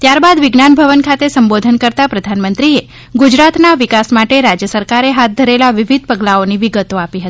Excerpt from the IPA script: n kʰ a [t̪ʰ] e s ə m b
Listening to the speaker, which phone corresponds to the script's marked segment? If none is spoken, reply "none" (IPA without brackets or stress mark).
t̪